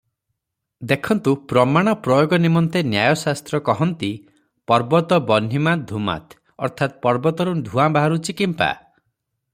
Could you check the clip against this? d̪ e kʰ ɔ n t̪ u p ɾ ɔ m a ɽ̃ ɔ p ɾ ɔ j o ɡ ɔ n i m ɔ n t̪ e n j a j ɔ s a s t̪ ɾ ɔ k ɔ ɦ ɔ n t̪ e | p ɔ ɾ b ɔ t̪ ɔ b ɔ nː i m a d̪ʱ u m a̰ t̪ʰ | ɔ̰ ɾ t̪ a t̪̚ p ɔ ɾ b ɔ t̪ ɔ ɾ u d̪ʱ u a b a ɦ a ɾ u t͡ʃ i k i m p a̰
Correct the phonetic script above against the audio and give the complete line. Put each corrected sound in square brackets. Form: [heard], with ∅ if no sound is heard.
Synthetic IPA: d̪ e kʰ ɔ n t̪ u p ɾ ɔ m a ɽ̃ ɔ p ɾ ɔ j o ɡ ɔ n i m ɔ n t̪ e n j a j ɔ s a s t̪ ɾ ɔ k ɔ ɦ ɔ n t̪ [i] | p ɔ ɾ b ɔ t̪ ɔ b ɔ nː i m a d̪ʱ u m a̰ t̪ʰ | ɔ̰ ɾ [t̪ʰ] a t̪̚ p ɔ ɾ b ɔ t̪ ɔ ɾ u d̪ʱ u a b a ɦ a ɾ u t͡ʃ i k i m p a̰